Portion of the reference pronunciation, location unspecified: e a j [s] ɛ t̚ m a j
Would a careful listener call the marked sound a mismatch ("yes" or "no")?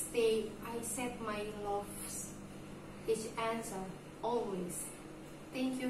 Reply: no